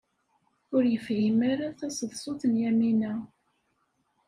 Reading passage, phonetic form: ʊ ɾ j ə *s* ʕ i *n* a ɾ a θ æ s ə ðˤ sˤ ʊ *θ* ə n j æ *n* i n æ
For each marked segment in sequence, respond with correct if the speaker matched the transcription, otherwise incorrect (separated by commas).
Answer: incorrect, incorrect, correct, incorrect